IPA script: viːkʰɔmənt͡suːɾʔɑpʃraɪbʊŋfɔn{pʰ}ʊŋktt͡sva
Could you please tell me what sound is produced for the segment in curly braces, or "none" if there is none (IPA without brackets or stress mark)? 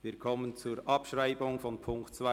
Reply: pʰ